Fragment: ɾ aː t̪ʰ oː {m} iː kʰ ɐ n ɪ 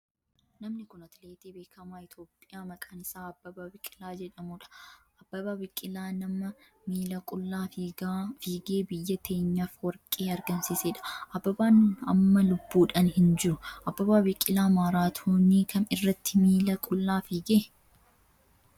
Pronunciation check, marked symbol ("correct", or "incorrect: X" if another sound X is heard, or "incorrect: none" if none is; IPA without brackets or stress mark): incorrect: n